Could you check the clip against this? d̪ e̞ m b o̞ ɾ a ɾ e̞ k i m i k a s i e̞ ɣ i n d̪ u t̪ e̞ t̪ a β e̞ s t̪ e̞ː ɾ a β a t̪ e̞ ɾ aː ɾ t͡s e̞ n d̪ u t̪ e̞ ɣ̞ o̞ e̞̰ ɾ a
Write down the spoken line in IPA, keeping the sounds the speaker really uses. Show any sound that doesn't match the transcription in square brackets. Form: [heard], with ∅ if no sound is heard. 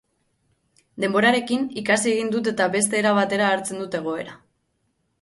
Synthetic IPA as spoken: d̪ e̞ m b o̞ ɾ a ɾ e̞ k i [n] i k a s i e̞ ɣ i n d̪ u t̪ e̞ t̪ a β e̞ s t̪ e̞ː ɾ a β a t̪ e̞ ɾ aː ɾ t͡s e̞ n d̪ u t̪ e̞ ɣ̞ o̞ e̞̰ ɾ a

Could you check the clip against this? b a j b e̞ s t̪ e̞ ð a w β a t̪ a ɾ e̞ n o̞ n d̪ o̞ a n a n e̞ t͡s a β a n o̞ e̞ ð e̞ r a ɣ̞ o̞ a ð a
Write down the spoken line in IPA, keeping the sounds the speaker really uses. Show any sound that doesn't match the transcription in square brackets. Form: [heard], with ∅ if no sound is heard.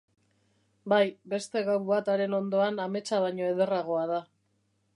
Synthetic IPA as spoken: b a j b e̞ s t̪ e̞ [ɣ] a w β a t̪ a ɾ e̞ n o̞ n d̪ o̞ a n a [m] e̞ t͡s a β a [ɲ] o̞ e̞ ð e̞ r a ɣ̞ o̞ a ð a

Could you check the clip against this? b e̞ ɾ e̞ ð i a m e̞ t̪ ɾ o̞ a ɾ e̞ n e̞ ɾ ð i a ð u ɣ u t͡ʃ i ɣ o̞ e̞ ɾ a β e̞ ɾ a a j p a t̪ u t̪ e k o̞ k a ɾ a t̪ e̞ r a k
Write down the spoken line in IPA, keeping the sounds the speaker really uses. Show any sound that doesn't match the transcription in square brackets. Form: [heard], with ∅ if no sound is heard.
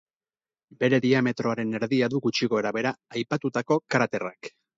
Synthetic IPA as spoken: b e̞ ɾ e̞ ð i a m e̞ t̪ ɾ o̞ a ɾ e̞ n e̞ ɾ ð i a ð u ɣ u t͡ʃ i ɣ o̞ e̞ ɾ a β e̞ ɾ a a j p a t̪ u t̪ [a] k o̞ k a ɾ a t̪ e̞ r a k

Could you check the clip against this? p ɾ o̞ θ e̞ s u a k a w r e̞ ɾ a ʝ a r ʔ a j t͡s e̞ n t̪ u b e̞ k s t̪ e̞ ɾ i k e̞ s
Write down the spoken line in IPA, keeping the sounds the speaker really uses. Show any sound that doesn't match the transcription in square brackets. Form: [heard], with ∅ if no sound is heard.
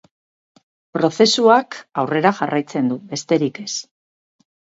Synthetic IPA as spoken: p ɾ o̞ θ e̞ s u a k a w r e̞ ɾ a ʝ a r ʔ a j t͡s e̞ n [d̪] u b e̞ [∅] s t̪ e̞ ɾ i k e̞ s

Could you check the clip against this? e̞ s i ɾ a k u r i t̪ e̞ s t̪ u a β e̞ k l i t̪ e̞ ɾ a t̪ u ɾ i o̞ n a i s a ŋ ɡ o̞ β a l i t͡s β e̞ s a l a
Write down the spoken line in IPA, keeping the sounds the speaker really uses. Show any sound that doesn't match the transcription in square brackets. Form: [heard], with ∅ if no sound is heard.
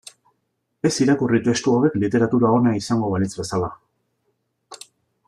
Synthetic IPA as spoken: e̞ s i ɾ a k u r i t̪ e̞ s t̪ u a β e̞ k l i t̪ e̞ ɾ a t̪ u ɾ [a] o̞ n a i s a ŋ ɡ o̞ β a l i t͡s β e̞ s a l a

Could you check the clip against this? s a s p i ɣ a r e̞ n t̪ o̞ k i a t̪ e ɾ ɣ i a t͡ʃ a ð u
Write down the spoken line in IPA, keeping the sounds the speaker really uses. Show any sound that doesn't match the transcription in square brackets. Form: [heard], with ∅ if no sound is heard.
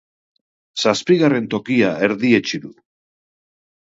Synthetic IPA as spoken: s a s p i ɣ a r e̞ n t̪ o̞ k i a [∅] e ɾ [ð] i [e] t͡ʃ [i] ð u

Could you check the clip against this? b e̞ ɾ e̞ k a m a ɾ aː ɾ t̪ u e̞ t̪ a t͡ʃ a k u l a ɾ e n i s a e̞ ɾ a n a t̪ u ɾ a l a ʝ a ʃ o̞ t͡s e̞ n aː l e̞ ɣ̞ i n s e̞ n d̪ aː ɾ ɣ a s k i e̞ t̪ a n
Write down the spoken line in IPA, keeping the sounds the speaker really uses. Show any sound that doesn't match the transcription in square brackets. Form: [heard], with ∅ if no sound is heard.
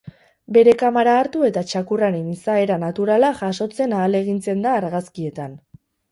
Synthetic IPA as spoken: b e̞ ɾ e̞ k a m a ɾ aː ɾ t̪ u e̞ t̪ a t͡ʃ a k u [r] a ɾ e n i s a e̞ ɾ a n a t̪ u ɾ a l a ʝ a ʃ o̞ t͡s e̞ n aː l e̞ ɣ̞ i n [t͡s] e̞ n d̪ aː ɾ ɣ a s k i e̞ t̪ a n

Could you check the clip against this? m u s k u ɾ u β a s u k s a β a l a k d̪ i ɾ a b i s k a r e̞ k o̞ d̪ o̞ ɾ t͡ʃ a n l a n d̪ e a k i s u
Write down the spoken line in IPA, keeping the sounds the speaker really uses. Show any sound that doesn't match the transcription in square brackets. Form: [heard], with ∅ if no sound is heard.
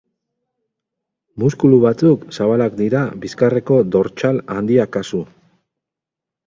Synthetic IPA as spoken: m u s k u [l] u β a [t͡s] u k s a β a l a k d̪ i ɾ a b i s k a r e̞ k o̞ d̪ o̞ ɾ t͡ʃ a [∅] l a n d̪ [i] a k [a] s u

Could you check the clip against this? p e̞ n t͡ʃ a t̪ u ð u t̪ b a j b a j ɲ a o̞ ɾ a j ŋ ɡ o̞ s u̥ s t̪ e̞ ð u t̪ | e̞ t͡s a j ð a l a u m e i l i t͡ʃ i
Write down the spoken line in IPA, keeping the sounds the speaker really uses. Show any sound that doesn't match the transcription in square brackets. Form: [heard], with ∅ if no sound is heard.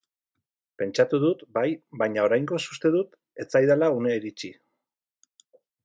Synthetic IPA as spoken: p e̞ n t͡ʃ a t̪ u ð u t̪ b a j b a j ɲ a o̞ ɾ a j ŋ ɡ o̞ s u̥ s t̪ e̞ ð u t̪ | e̞ t͡s a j ð a l a u [n] e i [ɾ] i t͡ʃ i

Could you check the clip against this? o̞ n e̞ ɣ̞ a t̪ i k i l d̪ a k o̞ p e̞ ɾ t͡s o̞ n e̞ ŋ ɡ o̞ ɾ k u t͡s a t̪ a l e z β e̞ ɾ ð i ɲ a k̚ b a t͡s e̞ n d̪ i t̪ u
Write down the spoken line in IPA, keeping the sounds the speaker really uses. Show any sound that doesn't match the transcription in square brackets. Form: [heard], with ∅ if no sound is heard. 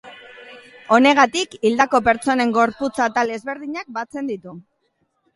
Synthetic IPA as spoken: o̞ n e̞ ɣ̞ a t̪ i k i l d̪ a k o̞ p e̞ ɾ t͡s o̞ n e̞ ŋ ɡ o̞ ɾ [p] u t͡s a t̪ a l e z β e̞ ɾ ð i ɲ a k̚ b a t͡s e̞ n d̪ i t̪ u

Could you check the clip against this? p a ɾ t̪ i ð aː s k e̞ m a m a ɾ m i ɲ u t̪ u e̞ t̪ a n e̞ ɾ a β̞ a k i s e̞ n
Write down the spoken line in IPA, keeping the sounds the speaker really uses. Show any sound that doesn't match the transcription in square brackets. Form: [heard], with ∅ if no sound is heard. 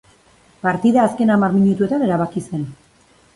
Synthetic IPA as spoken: p a ɾ t̪ i ð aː s k e̞ [n] a m a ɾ m i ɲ u t̪ u e̞ t̪ a n e̞ ɾ a β̞ a k i s e̞ n

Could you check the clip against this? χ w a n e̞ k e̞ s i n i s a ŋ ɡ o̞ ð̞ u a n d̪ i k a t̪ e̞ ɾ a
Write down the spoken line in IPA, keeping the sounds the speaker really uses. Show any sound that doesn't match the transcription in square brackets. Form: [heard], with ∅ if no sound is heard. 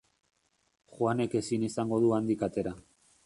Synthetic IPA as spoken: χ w a n e̞ k e̞ s i n i s a ŋ ɡ o̞ ð̞ u a n d̪ i k a t̪ e̞ ɾ a

